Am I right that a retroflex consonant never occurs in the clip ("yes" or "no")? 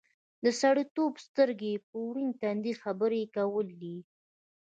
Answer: no